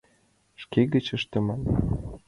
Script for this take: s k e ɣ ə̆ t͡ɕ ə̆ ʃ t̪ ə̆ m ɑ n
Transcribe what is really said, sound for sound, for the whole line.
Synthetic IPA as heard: ʃ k e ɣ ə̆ t͡ɕ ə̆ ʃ t̪ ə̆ m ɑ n